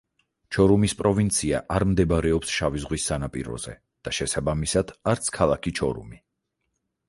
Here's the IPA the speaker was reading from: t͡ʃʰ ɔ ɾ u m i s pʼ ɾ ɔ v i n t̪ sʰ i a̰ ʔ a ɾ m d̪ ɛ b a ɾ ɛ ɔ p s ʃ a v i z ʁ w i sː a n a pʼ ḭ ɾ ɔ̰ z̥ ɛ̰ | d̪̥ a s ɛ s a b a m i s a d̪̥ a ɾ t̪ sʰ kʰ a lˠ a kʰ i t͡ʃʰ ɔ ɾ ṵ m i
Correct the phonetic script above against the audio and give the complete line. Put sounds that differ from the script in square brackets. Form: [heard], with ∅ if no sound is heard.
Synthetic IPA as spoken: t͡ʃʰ ɔ ɾ u m i s pʼ ɾ ɔ v i n t̪ sʰ i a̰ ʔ a ɾ m d̪ ɛ b a ɾ ɛ ɔ p s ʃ a v i z ʁ w i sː a n a pʼ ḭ ɾ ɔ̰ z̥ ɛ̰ | d̪̥ a [ʃ] ɛ s a b a m i s a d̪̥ a ɾ t̪ sʰ kʰ a lˠ a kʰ i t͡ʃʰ ɔ ɾ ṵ m i